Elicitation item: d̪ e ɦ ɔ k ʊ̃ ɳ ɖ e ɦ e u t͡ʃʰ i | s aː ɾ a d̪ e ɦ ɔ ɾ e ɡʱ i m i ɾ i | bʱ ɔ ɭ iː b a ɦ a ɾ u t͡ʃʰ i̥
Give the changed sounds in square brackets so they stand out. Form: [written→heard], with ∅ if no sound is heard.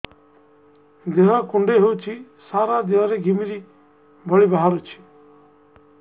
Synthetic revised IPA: d̪ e ɦ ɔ k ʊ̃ ɳ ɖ e ɦ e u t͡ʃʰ i | s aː ɾ a d̪ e ɦ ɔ ɾ e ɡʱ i m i ɾ i | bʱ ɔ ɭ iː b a ɦ a ɾ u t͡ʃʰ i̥